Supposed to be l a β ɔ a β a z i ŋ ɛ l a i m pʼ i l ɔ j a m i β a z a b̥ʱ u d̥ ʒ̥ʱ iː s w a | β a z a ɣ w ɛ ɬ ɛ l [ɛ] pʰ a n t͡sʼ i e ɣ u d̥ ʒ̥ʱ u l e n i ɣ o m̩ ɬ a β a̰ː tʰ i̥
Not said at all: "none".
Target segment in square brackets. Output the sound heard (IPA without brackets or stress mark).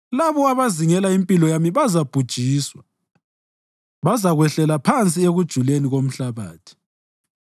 a